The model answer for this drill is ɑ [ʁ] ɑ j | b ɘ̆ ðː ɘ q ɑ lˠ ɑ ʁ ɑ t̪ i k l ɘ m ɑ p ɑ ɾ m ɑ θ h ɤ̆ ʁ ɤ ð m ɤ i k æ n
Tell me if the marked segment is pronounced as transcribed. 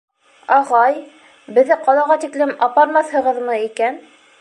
yes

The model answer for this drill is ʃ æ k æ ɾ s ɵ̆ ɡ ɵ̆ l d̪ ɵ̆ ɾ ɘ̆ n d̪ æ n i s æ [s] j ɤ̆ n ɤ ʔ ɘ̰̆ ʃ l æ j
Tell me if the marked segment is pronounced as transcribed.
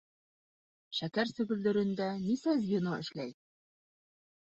no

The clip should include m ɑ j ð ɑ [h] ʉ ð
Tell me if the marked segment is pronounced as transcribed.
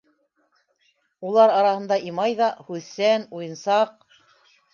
yes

